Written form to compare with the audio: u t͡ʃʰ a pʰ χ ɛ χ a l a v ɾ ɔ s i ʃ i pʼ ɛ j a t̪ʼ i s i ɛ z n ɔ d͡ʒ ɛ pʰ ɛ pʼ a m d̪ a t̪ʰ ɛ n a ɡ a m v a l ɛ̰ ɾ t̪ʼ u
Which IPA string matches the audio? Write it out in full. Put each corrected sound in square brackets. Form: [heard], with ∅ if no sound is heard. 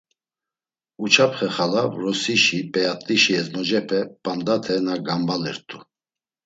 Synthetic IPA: u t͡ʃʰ a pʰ χ ɛ χ a l a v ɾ ɔ s i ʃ i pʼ ɛ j a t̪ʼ i [ʃ] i ɛ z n ɔ d͡ʒ ɛ pʰ ɛ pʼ a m d̪ a t̪ʰ ɛ n a ɡ a m [b] a l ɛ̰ ɾ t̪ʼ u